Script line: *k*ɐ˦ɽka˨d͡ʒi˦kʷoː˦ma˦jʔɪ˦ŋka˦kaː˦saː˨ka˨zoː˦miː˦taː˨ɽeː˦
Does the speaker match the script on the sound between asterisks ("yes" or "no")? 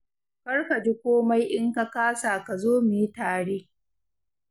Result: yes